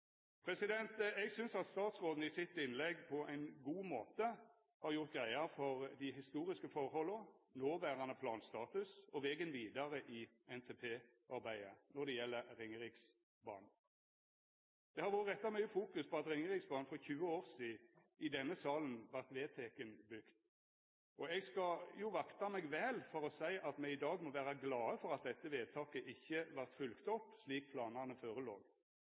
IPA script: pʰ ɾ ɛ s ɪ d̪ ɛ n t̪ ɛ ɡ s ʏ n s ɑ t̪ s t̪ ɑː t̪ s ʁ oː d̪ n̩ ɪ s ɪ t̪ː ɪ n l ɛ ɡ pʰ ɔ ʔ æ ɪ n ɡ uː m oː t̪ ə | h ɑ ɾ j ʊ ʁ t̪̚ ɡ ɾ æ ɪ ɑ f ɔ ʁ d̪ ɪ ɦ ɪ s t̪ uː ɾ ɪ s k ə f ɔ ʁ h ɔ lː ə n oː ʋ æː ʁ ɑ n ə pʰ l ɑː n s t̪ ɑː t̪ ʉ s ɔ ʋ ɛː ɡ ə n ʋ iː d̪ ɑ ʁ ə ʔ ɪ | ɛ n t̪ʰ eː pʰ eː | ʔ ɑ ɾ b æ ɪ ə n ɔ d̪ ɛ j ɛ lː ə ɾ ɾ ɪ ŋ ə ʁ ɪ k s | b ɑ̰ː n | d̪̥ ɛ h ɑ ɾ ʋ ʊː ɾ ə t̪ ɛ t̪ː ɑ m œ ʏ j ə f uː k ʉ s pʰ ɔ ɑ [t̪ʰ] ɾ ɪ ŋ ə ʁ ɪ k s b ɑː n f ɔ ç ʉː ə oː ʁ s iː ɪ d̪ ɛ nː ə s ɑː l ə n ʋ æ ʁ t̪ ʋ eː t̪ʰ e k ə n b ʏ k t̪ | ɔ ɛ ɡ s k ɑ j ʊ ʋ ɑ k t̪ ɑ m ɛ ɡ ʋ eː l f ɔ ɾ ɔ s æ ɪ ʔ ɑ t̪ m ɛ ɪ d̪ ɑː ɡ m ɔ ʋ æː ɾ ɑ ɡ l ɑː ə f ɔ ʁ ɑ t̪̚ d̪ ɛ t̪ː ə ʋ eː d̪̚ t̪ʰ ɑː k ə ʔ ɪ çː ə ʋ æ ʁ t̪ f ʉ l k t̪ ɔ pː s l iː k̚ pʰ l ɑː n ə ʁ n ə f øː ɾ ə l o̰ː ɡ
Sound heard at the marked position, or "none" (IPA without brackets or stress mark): t̪